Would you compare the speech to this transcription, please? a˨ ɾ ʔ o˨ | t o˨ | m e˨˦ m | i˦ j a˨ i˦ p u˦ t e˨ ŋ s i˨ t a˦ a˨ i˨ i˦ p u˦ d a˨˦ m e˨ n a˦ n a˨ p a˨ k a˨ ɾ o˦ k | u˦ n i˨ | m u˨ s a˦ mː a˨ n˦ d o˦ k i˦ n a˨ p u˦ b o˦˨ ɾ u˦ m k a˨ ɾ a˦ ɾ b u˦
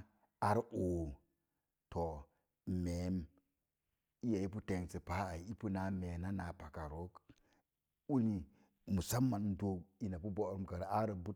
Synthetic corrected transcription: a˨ ɾ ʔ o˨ | t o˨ | m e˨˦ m | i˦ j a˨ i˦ p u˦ t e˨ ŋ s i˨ p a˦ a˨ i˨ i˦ p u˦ n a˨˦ m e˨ n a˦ n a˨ p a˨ k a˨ ɾ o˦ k | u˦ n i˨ | m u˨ s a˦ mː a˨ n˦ d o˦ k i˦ n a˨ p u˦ b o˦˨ ɾ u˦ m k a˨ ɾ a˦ ɾ b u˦